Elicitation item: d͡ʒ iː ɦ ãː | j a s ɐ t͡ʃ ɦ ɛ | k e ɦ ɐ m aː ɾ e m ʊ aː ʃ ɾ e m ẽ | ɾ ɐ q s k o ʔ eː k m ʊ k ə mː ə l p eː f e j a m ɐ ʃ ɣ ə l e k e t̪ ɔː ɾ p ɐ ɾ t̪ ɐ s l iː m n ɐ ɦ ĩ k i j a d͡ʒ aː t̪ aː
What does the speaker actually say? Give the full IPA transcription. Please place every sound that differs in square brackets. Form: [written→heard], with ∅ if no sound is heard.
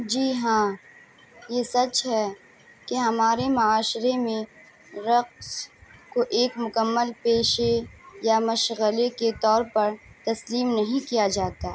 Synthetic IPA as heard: d͡ʒ iː ɦ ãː | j [a→e] s ɐ t͡ʃ ɦ ɛ | k e ɦ ɐ m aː ɾ e m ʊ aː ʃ ɾ e m ẽ | ɾ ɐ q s k o ʔ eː k m ʊ k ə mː ə l p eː [f→ʃ] e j a m ɐ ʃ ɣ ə l e k e t̪ ɔː ɾ p ɐ ɾ t̪ ɐ s l iː m n ɐ ɦ ĩ k i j a d͡ʒ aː t̪ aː